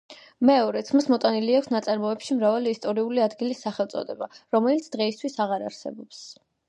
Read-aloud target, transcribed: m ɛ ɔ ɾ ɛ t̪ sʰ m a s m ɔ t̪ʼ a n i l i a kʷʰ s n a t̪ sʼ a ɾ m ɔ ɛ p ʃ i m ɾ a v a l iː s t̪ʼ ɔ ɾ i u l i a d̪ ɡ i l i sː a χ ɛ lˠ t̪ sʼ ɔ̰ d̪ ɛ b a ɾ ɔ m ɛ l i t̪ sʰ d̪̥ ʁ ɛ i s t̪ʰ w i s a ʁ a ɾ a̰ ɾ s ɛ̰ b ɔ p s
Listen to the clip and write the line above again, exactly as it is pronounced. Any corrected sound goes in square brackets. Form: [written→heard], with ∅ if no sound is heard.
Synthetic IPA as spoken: m ɛ ɔ ɾ ɛ t̪ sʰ m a s m ɔ t̪ʼ a n i l i a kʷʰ s n a t̪ sʼ a ɾ m ɔ ɛ p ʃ i m ɾ a v a l iː s t̪ʼ ɔ ɾ i u l i a d̪ ɡ i l i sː a χ ɛ lˠ t̪ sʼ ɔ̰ d̪ ɛ b a ɾ ɔ m ɛ l i t̪ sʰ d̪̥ ʁ ɛ i s t̪ʰ w i s a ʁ a ɾ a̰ ɾ s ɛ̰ b ɔ p s